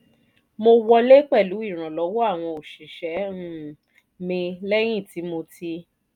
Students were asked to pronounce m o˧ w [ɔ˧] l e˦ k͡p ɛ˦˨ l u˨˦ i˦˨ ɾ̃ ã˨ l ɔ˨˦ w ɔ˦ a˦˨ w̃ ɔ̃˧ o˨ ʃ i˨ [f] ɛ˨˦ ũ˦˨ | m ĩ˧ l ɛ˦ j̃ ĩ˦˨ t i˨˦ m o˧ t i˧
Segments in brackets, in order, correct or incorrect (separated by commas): correct, incorrect